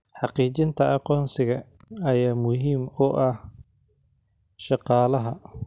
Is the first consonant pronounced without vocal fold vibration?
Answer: yes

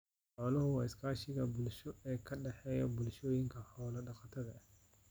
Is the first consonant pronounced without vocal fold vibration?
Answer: yes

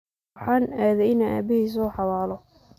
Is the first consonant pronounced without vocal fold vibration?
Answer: yes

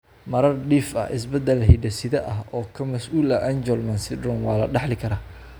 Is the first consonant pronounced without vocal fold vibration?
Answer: no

